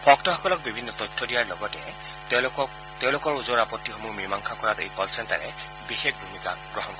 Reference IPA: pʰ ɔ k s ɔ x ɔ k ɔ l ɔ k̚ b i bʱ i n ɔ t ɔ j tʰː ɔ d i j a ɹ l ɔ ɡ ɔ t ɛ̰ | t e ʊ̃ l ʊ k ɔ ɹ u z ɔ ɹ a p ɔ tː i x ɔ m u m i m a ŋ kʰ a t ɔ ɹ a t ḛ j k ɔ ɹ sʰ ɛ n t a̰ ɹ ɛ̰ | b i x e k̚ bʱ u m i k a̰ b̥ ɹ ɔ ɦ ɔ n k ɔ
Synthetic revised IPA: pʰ ɔ k t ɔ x ɔ k ɔ l ɔ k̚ b i bʱ i nː ɔ t ɔ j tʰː ɔ d i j a ɹ l ɔ ɡ ɔ t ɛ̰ | t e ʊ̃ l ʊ k ɔ ɹ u z ɔ ɹ a p ɔ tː i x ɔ m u m i m a ŋ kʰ a k ɔ ɹ a t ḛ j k ɔ l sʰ ɛ n t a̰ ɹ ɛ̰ | b i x e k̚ bʱ u m i k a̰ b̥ ɹ ɔ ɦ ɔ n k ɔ